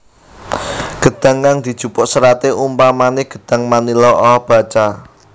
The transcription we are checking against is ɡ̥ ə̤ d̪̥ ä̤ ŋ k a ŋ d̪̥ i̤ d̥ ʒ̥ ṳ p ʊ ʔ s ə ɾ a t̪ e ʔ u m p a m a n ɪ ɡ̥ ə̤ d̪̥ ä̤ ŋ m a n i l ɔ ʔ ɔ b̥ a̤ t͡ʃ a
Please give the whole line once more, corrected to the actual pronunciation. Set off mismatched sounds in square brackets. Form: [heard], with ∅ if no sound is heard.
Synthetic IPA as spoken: ɡ̥ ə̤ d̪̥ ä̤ ŋ k a ŋ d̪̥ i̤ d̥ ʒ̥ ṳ p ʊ ʔ s ə ɾ a t̪ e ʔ u m p a m a n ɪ ɡ̥ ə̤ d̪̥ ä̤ ŋ m a n i l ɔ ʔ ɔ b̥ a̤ t͡ʃ a